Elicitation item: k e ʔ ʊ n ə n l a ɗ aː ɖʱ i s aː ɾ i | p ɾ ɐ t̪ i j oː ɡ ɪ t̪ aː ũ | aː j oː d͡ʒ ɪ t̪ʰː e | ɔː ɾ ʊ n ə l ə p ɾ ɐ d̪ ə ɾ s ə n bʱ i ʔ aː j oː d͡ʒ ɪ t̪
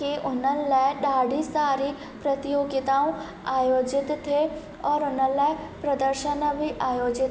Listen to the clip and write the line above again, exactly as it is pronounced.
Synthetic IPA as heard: k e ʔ ʊ n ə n l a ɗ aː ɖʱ i s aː ɾ i | p ɾ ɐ t̪ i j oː ɡ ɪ t̪ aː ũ | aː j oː d͡ʒ ɪ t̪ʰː e | ɔː ɾ ʊ n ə l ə p ɾ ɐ d̪ ə ɾ ʃ ə n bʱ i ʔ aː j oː d͡ʒ ɪ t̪